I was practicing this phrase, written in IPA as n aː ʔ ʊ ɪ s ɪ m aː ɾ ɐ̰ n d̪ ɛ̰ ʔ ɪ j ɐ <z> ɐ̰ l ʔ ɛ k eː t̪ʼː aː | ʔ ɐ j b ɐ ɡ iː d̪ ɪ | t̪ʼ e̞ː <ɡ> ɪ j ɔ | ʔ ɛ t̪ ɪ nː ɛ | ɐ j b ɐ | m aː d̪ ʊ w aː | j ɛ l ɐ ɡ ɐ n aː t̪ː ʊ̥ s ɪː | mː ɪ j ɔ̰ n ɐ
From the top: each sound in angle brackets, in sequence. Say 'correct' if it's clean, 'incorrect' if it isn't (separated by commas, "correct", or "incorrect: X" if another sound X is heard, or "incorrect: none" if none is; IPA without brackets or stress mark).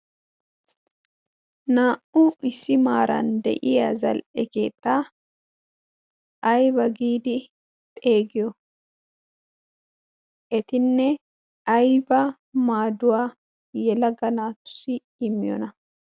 correct, correct